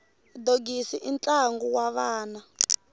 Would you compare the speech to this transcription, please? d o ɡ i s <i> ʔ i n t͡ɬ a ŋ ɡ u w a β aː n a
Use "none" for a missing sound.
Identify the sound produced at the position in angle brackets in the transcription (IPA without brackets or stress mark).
i